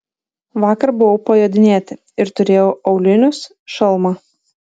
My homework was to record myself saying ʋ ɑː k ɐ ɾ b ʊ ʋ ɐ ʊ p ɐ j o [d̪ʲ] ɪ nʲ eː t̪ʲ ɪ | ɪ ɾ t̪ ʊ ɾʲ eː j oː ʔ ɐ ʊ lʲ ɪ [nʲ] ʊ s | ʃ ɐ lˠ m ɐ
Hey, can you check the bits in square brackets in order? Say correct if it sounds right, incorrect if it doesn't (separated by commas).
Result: correct, correct